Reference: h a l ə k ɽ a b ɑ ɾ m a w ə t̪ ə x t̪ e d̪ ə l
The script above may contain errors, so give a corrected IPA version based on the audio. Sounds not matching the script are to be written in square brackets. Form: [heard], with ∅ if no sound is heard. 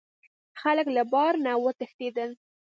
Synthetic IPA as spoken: [x] a l ə k [l] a b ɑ ɾ [n] a w ə t̪ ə x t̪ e d̪ ə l